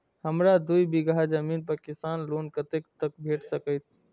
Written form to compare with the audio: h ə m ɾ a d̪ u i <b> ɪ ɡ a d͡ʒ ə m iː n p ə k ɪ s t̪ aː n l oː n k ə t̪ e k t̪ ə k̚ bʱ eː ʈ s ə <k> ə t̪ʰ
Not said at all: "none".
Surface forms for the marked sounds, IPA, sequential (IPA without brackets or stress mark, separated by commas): b, k